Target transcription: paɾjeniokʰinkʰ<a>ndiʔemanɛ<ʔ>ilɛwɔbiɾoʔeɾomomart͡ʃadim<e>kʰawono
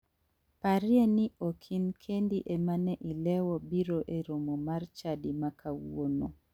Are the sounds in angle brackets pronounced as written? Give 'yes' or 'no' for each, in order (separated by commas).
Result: no, yes, no